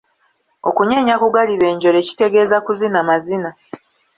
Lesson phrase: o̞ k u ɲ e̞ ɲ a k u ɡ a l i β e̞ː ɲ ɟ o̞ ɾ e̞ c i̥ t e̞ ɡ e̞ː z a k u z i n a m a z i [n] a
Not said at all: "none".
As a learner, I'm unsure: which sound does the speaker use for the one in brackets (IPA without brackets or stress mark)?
n